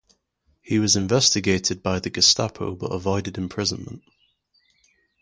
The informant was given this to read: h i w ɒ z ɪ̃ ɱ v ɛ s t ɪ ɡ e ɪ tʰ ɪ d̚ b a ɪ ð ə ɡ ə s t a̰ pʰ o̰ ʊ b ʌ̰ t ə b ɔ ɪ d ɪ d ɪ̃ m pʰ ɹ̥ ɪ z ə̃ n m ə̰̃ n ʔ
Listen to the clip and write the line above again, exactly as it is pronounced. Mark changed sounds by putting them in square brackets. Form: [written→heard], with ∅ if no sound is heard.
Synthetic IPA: h i w ɒ z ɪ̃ ɱ v ɛ s t ɪ ɡ e ɪ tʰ ɪ d̚ b a ɪ ð ə ɡ ə s t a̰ pʰ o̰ ʊ b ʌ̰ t ə [b→v] ɔ ɪ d ɪ d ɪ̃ m pʰ ɹ̥ ɪ z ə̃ n m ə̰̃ n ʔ